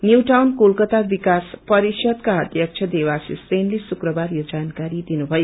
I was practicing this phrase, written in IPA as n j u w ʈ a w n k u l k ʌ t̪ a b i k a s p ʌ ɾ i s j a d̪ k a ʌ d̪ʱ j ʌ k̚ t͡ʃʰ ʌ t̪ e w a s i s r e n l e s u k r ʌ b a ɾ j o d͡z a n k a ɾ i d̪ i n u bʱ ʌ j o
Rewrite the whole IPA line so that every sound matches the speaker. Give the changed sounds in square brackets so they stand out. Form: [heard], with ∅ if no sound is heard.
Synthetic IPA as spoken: n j u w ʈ a w n k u l k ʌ t̪ a b i k a s p ʌ ɾ i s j [ʌ] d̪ k a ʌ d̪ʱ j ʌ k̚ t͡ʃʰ ʌ [d̪] e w a s i s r e n l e s u k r ʌ b a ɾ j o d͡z a n k a ɾ i d̪ i n u bʱ ʌ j o